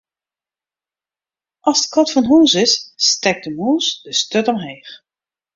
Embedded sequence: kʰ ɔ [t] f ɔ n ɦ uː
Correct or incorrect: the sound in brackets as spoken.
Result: correct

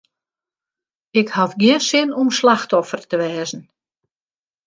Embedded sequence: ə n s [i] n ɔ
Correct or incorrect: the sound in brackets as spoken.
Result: incorrect: ɪ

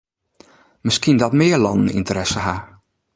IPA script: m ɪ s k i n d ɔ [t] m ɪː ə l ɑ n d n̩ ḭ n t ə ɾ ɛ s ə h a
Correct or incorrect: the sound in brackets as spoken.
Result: correct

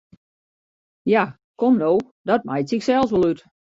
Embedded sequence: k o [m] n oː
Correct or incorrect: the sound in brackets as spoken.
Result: correct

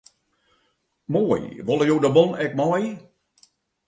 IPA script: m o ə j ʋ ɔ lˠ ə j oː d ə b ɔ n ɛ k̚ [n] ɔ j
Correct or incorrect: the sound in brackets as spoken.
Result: incorrect: m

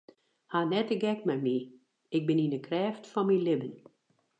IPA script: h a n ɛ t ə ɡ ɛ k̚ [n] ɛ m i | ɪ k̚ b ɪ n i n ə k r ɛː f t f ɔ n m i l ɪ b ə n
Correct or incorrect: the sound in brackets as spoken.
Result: incorrect: m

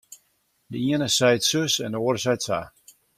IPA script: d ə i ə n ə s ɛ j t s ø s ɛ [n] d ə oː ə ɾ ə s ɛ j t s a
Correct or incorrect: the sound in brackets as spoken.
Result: correct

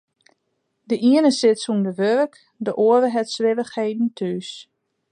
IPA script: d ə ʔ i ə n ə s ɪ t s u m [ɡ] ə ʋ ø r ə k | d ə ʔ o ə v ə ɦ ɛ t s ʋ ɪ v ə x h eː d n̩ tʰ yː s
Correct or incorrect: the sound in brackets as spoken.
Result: incorrect: d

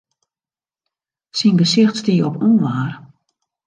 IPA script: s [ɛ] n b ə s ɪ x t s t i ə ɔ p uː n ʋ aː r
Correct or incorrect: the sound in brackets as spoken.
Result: incorrect: i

